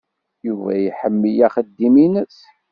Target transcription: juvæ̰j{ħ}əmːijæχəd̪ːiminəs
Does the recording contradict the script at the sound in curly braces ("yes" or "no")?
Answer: no